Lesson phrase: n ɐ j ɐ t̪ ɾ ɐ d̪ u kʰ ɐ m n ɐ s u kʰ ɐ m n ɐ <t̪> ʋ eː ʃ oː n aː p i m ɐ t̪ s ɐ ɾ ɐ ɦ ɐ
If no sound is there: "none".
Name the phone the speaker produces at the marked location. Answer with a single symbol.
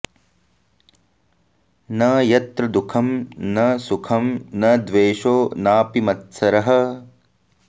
d̪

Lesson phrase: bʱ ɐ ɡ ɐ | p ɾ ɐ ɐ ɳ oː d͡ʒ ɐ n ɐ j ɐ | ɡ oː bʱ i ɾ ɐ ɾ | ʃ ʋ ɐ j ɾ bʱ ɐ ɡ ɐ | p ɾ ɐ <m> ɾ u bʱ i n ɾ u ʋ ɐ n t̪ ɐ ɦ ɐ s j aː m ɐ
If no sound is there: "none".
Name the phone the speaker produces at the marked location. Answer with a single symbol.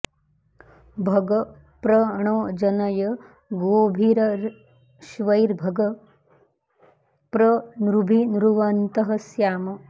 n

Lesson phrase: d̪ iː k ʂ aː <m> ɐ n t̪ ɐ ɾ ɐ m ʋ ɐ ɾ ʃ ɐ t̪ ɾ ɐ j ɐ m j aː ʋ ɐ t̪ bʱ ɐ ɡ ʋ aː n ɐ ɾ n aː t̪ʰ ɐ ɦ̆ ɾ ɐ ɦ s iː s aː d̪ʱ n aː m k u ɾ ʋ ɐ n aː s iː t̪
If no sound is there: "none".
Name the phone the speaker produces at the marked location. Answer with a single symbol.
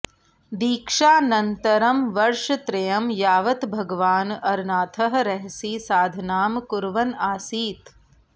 n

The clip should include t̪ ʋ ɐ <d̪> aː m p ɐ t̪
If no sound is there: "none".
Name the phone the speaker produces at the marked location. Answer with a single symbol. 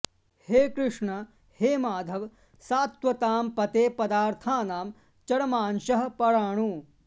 t̪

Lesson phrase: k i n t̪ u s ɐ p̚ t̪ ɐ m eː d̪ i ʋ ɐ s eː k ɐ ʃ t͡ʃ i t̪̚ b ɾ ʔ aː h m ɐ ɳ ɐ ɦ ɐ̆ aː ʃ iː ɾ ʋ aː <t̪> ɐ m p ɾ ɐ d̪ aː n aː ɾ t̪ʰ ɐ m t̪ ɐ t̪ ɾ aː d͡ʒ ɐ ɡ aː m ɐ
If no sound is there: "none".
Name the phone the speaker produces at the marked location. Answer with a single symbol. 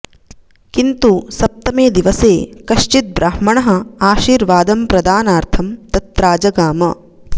d̪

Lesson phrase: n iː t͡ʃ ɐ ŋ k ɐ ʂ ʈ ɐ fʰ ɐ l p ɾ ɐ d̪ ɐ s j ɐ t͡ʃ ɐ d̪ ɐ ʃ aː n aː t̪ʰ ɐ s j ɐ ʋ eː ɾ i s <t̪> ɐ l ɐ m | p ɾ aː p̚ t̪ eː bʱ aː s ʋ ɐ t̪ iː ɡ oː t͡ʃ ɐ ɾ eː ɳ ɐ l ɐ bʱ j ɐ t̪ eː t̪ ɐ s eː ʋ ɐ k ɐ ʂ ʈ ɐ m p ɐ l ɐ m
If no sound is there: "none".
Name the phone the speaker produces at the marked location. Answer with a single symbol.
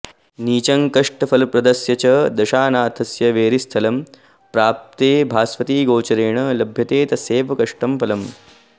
t̪ʰ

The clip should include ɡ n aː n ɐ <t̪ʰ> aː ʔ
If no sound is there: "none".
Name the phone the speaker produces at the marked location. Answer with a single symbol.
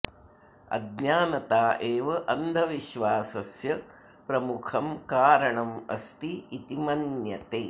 t̪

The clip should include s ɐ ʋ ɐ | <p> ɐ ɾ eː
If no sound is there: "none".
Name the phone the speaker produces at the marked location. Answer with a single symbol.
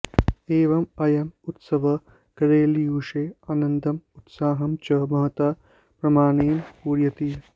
k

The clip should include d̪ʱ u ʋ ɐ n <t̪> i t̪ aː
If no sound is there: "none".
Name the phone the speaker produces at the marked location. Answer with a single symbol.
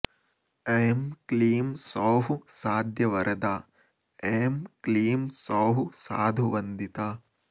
d̪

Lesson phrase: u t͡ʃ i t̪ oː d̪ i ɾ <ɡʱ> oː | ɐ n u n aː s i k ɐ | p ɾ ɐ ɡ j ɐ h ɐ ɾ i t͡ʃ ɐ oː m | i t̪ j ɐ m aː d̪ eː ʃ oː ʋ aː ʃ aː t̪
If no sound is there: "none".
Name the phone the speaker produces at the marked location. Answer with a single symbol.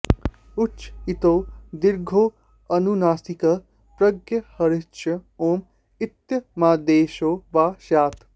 ɡʱ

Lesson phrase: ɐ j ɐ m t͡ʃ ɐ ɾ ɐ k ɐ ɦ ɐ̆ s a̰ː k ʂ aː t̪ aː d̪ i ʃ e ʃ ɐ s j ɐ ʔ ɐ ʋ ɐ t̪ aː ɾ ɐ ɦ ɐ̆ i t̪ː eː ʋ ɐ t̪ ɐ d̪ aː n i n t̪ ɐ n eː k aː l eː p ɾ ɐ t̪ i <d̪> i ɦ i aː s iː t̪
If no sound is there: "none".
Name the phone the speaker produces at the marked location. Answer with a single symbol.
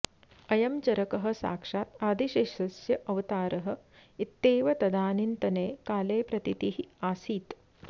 t̪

